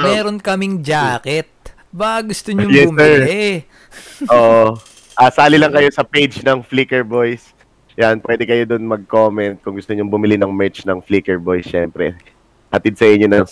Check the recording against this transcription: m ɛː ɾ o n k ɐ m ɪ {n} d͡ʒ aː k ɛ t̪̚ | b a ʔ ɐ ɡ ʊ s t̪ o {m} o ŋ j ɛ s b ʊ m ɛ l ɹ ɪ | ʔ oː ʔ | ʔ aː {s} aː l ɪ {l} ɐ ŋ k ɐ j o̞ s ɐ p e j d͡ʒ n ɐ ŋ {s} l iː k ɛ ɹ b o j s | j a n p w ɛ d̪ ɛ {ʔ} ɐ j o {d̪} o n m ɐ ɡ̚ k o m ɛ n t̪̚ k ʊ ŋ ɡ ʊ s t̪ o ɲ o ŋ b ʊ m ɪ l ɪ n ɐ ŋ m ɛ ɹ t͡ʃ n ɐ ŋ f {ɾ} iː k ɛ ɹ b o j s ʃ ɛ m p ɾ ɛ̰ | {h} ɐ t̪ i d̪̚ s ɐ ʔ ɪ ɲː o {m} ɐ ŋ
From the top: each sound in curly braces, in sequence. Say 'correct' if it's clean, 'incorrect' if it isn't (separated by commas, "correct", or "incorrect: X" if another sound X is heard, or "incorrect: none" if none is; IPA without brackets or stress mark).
incorrect: ŋ, incorrect: ɲ, correct, correct, incorrect: f, incorrect: k, correct, incorrect: l, correct, incorrect: n